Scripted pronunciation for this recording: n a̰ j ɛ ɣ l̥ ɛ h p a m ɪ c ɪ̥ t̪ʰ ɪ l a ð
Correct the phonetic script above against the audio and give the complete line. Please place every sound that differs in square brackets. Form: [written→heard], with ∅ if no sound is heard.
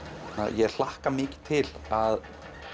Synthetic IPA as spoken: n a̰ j ɛ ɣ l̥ [ɛ→a] h [p→k] a m [ɪ→ɪː] c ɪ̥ t̪ʰ ɪ l a ð